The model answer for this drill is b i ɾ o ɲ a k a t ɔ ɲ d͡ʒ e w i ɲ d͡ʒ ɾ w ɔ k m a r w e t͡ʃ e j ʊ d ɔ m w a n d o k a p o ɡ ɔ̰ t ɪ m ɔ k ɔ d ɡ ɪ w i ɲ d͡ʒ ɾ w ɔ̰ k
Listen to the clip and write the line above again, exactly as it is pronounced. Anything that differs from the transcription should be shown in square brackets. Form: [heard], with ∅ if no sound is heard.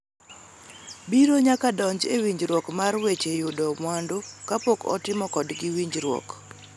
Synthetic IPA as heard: b i ɾ o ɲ a k a [d] ɔ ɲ d͡ʒ e w i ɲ d͡ʒ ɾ w ɔ k m a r w e t͡ʃ e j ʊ d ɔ m w a n d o k a p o [k] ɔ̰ t ɪ m ɔ k ɔ d ɡ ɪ w i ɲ d͡ʒ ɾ w ɔ̰ k